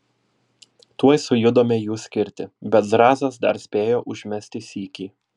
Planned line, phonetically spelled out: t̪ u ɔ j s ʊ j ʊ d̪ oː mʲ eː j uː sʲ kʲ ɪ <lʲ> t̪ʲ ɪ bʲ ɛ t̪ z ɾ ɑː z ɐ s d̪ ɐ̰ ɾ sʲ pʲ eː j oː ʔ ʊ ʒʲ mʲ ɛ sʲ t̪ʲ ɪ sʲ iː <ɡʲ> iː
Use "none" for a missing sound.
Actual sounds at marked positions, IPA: ɾʲ, kʲ

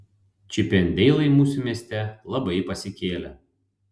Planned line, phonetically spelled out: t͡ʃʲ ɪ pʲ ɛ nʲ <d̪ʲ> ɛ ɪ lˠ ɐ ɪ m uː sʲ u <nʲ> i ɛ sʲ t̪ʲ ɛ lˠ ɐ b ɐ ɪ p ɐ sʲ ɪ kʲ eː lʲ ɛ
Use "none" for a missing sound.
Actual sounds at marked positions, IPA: d̪ʲ, mʲ

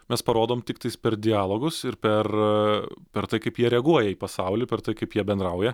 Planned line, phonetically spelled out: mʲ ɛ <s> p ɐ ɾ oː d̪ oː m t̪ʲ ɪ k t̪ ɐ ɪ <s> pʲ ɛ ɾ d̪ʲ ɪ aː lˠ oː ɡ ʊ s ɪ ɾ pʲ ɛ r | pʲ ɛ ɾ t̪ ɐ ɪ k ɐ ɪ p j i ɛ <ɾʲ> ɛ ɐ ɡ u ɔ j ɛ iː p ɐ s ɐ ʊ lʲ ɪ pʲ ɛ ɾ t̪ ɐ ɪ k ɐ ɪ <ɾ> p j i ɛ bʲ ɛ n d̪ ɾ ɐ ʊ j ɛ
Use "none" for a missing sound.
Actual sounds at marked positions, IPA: s, s, ɾʲ, none

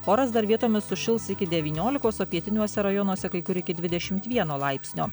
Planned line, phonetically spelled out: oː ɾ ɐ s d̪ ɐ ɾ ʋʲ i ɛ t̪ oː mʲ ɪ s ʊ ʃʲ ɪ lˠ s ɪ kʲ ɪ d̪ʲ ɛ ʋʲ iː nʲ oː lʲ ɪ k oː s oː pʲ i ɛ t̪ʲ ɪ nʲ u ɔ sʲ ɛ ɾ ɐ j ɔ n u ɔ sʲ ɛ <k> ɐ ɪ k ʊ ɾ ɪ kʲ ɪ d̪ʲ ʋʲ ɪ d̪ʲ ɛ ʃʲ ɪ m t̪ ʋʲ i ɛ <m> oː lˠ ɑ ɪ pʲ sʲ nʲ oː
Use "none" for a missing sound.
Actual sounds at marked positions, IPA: k, n

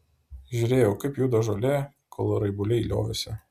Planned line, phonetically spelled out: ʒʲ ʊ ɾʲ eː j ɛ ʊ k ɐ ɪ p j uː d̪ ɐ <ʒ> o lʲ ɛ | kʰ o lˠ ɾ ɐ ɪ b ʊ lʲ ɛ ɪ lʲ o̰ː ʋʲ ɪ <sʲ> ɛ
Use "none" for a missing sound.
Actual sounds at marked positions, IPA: ʒ, sʲ

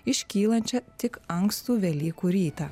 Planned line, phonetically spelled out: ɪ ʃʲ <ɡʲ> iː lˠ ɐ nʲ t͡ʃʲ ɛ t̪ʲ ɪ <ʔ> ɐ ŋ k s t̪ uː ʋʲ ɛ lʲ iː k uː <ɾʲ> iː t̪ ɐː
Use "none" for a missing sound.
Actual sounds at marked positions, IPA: kʲ, k, ɾʲ

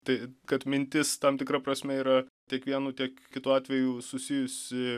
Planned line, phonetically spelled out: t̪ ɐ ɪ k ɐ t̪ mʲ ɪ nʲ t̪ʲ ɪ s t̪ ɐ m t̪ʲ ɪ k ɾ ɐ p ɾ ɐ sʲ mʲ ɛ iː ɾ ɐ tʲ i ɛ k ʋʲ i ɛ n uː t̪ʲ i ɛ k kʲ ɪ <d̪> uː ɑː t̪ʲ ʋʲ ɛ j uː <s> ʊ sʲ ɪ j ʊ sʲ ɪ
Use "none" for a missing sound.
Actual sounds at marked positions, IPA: t̪, s

